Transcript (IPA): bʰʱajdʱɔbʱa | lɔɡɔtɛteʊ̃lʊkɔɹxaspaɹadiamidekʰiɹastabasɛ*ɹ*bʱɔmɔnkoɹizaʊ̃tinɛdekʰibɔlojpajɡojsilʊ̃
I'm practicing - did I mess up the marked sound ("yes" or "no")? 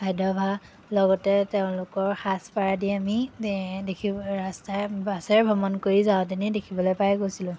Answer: no